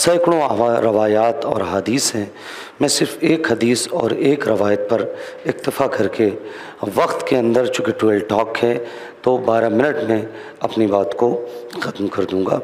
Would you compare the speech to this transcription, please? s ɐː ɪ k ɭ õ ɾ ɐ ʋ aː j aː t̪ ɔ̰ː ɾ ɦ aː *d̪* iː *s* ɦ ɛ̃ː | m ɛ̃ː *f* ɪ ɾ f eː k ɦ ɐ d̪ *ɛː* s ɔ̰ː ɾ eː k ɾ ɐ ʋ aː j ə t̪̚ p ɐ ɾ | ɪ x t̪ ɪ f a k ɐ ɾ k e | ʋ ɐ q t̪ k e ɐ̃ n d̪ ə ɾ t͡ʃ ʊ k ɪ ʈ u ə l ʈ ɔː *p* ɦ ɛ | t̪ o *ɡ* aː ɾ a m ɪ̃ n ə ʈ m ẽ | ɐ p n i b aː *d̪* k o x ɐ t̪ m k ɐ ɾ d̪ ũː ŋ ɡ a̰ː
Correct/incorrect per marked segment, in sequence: correct, correct, incorrect: s, incorrect: iː, incorrect: k, incorrect: b, incorrect: t̪

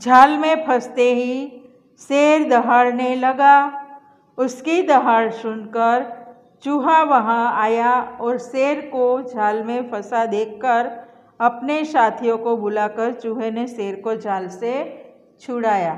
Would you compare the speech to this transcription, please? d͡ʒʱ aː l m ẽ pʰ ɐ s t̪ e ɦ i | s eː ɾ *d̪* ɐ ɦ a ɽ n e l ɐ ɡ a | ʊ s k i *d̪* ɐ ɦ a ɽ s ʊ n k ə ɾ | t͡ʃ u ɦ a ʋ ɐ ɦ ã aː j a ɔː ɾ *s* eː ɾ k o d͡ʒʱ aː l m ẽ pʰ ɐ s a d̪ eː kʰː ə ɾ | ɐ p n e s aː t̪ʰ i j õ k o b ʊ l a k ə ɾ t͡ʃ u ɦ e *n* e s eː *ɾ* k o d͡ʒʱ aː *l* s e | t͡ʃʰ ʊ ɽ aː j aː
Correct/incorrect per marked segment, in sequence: correct, correct, correct, correct, correct, correct

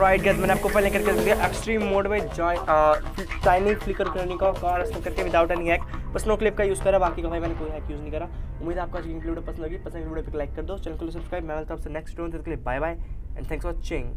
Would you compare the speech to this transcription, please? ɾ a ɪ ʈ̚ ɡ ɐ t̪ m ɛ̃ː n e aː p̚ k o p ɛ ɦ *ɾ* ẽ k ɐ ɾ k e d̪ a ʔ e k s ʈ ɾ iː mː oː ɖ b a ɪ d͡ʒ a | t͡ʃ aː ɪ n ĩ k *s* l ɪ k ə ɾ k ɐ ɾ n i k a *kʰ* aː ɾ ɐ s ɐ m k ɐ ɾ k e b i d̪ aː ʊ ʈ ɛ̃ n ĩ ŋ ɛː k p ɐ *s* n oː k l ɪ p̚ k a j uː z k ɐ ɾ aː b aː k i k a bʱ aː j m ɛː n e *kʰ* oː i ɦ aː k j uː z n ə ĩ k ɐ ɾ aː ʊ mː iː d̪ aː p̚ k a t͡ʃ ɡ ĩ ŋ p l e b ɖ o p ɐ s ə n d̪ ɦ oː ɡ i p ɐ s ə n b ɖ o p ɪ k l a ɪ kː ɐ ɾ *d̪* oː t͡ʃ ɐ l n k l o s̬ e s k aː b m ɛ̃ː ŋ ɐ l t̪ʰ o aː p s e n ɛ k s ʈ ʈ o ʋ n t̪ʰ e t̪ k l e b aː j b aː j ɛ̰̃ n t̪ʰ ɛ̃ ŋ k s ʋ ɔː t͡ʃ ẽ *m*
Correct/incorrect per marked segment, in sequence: incorrect: l, incorrect: f, incorrect: k, correct, incorrect: k, correct, incorrect: ŋ

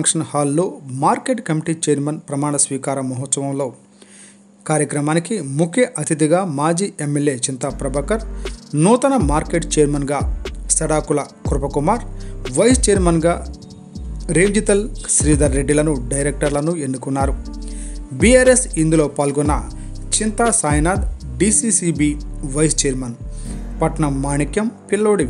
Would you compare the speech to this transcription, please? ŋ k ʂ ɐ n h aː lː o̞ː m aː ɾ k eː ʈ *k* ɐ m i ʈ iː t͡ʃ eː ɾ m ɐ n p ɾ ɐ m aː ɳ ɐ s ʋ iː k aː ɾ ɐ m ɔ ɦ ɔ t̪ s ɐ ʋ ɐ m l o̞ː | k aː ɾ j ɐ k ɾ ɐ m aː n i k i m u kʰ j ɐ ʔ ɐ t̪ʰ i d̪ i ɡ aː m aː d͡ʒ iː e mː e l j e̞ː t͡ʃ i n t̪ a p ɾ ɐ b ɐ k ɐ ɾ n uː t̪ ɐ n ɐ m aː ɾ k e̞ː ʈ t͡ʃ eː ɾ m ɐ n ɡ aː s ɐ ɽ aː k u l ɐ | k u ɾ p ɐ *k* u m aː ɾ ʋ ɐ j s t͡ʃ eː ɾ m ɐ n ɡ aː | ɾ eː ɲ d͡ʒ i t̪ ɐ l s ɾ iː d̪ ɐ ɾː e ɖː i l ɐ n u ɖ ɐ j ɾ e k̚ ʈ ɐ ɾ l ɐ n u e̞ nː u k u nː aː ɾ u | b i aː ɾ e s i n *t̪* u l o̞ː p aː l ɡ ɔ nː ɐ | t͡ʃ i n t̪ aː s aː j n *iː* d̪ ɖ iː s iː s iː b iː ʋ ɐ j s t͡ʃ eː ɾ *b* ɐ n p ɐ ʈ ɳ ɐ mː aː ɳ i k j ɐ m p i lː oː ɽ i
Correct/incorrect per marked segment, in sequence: correct, correct, incorrect: d̪, incorrect: aː, incorrect: m

